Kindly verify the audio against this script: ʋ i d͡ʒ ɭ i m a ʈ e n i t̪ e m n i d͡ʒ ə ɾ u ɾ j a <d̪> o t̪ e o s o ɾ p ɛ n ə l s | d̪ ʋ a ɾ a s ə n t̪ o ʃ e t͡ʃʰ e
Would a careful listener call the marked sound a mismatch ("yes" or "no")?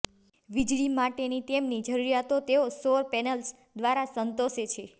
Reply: yes